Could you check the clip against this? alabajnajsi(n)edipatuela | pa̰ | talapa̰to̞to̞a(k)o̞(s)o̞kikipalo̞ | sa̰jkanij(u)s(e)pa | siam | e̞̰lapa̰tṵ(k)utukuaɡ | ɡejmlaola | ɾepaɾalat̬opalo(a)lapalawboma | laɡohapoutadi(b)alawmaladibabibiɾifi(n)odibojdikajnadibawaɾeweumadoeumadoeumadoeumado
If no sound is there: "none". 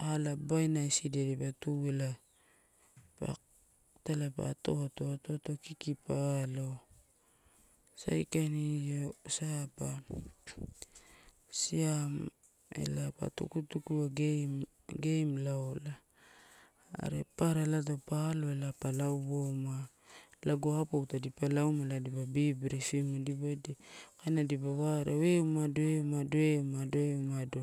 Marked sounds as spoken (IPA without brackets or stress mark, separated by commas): d, t, t, o, a, k, e, p, m